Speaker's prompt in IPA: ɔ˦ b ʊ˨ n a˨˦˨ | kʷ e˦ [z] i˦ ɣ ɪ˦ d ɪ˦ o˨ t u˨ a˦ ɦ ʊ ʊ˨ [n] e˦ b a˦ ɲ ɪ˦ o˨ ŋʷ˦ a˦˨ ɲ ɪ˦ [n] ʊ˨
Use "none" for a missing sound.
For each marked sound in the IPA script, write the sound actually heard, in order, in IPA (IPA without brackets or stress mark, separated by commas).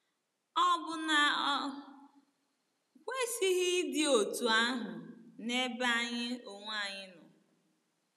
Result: s, n, n